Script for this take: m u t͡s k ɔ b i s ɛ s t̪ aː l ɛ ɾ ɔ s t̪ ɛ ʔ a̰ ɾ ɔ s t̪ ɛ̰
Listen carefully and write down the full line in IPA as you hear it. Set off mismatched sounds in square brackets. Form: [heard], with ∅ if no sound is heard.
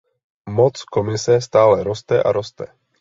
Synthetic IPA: m [ɔ] t͡s k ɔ [m] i s ɛ s t̪ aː l ɛ ɾ ɔ s t̪ ɛ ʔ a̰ ɾ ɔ s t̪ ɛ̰